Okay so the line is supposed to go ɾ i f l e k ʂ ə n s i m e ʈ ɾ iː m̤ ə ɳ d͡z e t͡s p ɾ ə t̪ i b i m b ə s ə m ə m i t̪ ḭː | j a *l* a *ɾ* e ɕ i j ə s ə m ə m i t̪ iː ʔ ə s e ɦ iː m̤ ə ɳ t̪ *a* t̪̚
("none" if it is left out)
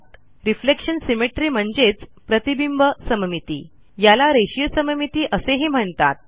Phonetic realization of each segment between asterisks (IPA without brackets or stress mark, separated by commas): l, ɾ, a